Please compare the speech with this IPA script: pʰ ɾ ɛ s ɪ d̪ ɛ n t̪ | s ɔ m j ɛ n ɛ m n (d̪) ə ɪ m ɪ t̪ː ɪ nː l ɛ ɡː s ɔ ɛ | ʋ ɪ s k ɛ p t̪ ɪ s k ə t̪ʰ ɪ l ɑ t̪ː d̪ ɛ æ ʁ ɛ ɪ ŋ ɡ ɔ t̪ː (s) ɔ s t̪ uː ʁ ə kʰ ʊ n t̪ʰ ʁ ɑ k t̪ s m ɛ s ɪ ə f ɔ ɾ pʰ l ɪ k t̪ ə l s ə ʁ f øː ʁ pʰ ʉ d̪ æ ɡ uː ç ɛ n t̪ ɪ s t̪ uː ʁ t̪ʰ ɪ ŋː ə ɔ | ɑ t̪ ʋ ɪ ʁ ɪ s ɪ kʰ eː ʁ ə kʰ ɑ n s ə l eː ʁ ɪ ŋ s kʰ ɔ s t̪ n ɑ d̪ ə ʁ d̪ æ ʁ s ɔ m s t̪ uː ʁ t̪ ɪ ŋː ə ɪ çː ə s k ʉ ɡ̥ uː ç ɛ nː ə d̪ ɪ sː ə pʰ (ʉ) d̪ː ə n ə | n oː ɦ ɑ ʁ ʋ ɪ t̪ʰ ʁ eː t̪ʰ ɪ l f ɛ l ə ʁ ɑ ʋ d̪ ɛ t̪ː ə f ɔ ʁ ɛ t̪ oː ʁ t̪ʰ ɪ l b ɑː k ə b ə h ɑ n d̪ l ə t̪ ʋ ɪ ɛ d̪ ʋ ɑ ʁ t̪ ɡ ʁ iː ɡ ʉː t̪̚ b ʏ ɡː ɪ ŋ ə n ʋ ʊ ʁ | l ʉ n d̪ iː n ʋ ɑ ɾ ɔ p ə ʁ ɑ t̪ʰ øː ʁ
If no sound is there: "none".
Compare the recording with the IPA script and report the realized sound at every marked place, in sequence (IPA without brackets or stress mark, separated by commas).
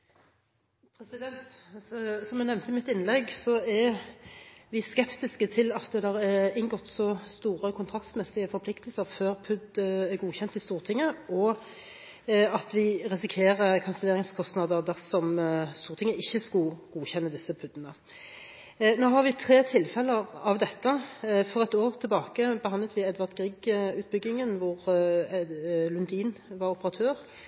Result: t̪, s, ʉ